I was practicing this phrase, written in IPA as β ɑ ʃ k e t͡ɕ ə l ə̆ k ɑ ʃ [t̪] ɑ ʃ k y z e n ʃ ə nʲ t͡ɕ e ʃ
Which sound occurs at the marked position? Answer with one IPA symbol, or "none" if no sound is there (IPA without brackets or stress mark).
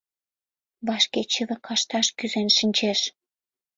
t̪